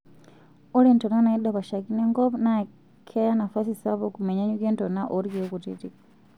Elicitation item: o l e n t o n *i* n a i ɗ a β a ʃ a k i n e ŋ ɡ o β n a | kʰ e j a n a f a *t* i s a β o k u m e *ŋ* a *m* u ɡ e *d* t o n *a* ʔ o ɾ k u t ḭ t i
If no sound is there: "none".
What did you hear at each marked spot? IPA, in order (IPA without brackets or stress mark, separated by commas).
a, s, ɲ, ɲ, n, a